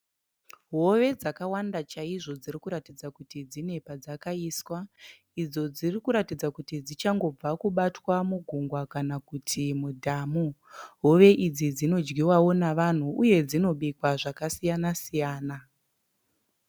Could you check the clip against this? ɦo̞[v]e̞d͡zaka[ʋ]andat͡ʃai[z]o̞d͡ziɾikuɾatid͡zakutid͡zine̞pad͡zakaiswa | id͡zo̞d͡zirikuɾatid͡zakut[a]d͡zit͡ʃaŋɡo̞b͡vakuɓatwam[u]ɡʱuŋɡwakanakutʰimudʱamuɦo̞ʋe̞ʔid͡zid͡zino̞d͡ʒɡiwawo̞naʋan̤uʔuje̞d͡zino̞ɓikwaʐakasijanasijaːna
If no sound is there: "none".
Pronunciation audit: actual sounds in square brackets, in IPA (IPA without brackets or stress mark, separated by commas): ʋ, w, ʐ, i, u